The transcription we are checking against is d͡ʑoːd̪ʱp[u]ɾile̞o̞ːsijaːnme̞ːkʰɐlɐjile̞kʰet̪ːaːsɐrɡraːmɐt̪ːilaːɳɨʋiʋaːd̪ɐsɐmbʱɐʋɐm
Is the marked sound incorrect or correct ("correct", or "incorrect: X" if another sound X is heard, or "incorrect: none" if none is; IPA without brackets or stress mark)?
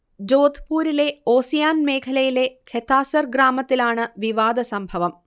incorrect: uː